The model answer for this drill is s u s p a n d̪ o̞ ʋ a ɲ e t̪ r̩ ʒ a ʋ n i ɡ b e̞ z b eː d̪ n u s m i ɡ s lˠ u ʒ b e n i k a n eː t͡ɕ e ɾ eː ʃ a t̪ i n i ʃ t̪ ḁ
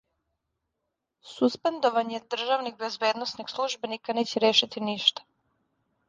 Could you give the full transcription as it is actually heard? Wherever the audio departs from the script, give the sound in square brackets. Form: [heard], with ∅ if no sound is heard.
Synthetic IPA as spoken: s u s p [e] n d̪ o̞ ʋ a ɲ e [d̪] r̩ ʒ a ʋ n i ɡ b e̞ z b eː d̪ n [o] s [n] i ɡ s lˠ u ʒ b e n i k a n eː t͡ɕ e ɾ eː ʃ [i] t̪ i n i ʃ t̪ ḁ

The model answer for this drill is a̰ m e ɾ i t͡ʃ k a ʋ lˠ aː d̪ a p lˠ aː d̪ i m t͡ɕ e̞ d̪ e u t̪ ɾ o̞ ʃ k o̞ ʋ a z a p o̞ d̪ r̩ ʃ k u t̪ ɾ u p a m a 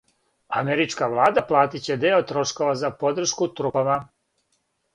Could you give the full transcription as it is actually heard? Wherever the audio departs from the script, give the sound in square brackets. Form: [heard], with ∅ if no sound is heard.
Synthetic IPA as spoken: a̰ m e ɾ i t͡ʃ k a ʋ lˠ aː d̪ a p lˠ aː [t̪] i [∅] t͡ɕ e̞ d̪ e [o] t̪ ɾ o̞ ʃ k o̞ ʋ a z a p o̞ d̪ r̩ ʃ k u t̪ ɾ u p a m a

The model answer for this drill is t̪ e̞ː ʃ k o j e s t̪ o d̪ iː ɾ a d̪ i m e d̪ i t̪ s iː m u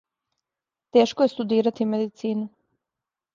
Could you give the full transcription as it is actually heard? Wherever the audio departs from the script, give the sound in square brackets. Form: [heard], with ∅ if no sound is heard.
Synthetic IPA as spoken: t̪ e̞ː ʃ k o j e s t̪ [u] d̪ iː ɾ a [t̪] i m e d̪ i t̪ s iː [n] u

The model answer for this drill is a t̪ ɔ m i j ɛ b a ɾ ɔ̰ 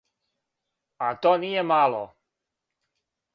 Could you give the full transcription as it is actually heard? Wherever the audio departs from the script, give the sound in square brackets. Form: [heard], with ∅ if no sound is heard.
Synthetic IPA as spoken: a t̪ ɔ [n] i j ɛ [m] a [l] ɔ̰

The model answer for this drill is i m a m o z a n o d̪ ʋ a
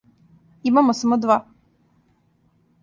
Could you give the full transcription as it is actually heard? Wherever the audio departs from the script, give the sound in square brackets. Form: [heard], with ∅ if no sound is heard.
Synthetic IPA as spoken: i m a m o [s] a [m] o d̪ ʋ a

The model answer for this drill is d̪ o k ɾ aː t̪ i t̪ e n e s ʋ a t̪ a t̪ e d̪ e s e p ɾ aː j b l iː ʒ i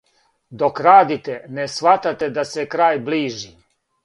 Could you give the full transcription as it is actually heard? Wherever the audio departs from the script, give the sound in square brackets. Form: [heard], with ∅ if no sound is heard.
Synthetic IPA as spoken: d̪ o k ɾ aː [d̪] i t̪ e n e s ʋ a t̪ a t̪ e d̪ [a] s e [k] ɾ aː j b l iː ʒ i

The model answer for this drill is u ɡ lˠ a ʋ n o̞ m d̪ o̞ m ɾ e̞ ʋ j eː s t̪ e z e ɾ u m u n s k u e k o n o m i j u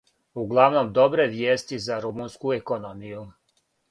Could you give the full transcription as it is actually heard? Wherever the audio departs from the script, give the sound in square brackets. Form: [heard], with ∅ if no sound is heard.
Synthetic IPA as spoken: u ɡ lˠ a ʋ n o̞ m d̪ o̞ [b] ɾ e̞ ʋ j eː s t̪ [i] z [a] ɾ u m u n s k u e k o n o m i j u

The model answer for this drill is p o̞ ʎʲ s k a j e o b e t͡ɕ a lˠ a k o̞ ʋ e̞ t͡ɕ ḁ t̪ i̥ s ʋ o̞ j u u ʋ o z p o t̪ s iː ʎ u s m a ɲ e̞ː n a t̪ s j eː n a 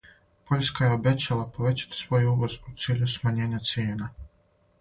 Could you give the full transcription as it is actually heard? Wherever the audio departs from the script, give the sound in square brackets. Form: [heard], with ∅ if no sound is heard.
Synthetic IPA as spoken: p o̞ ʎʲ s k a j e o b e t͡ɕ a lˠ a [p] o̞ ʋ e̞ t͡ɕ ḁ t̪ i̥ s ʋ o̞ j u u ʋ o z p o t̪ s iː ʎ u s m a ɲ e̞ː [ɲ] a t̪ s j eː n a

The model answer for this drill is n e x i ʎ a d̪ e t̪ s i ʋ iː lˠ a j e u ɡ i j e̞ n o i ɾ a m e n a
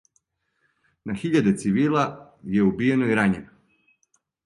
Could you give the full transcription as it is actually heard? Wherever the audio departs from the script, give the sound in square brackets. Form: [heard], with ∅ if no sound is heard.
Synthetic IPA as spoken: n [a] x i ʎ a d̪ e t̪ s i ʋ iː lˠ a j e u [b] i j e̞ n o i ɾ a [ɲ] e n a

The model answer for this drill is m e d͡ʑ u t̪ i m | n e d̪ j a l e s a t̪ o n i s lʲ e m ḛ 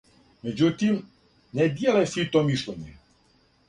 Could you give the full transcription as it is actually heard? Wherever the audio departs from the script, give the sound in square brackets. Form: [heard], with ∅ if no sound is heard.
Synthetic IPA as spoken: m e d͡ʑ u t̪ i m | n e d̪ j [e] l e s [i] t̪ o [m] i [ʃ] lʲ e [ɲ] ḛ

